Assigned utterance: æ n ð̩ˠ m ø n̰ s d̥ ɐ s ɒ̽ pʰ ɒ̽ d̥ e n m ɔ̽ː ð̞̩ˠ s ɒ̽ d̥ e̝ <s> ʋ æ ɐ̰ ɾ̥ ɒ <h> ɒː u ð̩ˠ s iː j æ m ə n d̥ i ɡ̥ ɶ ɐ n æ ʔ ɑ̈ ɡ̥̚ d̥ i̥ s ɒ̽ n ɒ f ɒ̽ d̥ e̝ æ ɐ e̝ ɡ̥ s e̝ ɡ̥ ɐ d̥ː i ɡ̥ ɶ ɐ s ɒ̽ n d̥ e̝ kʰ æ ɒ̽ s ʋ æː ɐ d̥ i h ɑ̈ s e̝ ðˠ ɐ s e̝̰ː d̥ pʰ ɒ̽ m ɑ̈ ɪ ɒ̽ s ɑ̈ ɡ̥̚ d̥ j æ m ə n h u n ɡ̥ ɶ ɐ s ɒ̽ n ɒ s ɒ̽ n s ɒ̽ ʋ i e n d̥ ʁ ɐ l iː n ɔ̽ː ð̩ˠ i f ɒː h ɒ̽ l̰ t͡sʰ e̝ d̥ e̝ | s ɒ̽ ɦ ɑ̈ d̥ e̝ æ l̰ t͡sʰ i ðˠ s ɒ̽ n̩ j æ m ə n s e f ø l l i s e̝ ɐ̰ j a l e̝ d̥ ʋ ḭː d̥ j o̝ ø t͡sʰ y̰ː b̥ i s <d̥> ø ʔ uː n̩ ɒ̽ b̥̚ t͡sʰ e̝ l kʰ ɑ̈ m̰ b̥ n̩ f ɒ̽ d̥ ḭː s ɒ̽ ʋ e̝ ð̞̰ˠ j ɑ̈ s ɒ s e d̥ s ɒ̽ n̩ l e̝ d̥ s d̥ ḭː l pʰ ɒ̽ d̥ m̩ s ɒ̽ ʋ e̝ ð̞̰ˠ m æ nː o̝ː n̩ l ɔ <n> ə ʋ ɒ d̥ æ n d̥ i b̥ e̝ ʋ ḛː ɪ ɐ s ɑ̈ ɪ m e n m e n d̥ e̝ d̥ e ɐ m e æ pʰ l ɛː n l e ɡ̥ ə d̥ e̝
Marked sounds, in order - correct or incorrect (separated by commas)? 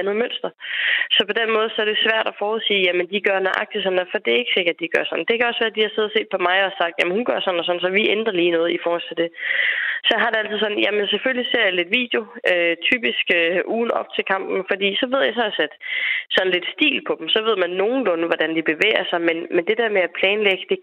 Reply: correct, incorrect, incorrect, correct